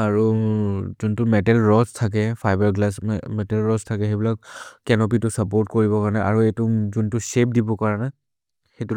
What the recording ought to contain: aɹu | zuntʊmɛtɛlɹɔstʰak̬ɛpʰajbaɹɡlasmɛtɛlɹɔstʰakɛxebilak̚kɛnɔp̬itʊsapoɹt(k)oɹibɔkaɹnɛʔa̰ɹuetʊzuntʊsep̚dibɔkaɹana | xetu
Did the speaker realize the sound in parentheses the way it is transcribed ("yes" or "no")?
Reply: yes